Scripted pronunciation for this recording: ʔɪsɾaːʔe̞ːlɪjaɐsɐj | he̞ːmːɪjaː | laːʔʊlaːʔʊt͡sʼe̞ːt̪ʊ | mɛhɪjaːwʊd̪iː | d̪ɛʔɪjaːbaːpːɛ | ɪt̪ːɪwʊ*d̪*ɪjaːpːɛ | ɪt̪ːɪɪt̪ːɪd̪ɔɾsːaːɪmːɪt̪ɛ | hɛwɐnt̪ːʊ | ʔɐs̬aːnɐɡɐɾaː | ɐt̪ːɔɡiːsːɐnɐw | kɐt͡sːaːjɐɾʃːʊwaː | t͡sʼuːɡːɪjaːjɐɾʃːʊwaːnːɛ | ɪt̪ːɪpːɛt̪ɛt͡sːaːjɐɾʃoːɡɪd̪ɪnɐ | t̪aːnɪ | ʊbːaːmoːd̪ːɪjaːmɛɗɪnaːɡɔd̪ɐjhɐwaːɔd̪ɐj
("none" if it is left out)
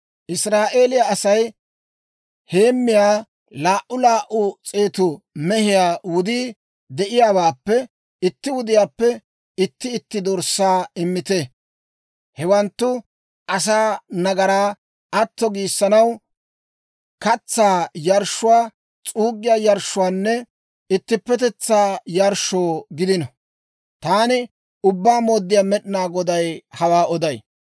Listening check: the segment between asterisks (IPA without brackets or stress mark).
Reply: d̪